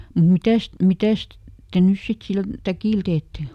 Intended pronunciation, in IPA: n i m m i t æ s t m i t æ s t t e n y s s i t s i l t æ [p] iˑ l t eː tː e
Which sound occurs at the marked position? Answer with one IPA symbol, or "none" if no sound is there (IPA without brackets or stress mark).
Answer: k